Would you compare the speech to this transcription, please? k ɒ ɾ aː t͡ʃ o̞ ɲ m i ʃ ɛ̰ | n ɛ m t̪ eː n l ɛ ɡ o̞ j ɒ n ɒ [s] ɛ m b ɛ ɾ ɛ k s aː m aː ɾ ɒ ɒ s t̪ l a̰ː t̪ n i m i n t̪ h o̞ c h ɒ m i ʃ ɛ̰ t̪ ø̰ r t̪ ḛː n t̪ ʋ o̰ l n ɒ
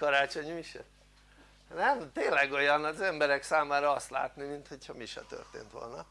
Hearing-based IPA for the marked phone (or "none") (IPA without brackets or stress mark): z